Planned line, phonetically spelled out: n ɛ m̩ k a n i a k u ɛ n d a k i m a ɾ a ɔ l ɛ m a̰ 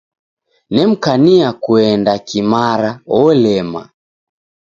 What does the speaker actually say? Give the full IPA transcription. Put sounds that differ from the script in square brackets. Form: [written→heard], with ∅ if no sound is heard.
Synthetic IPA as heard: n ɛ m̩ k a n i a k u ɛ n d a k i m a ɾ a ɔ l ɛ m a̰